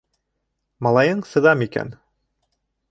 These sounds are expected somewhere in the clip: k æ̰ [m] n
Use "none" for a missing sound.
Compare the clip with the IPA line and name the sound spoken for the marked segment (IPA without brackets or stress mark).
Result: none